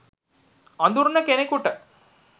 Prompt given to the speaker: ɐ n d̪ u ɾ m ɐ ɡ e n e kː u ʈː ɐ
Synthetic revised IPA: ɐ n d̪ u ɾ n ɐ k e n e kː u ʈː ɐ